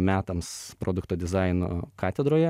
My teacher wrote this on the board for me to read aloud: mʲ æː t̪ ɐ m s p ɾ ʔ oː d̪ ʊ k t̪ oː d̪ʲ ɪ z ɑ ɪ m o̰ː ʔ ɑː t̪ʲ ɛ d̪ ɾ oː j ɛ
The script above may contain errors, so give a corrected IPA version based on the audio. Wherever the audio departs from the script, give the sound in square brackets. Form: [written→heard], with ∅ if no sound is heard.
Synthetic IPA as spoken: mʲ æː t̪ ɐ m s p ɾ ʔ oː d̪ ʊ k t̪ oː d̪ʲ ɪ z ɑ ɪ [m→n] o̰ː [ʔ→k] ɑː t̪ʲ ɛ d̪ ɾ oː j ɛ